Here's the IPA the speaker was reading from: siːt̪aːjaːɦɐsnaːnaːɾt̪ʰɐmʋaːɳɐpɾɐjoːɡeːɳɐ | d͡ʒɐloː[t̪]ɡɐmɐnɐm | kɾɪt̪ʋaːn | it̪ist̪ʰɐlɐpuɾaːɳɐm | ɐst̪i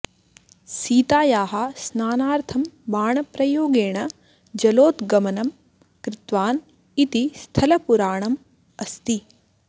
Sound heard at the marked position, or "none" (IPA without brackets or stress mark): t̪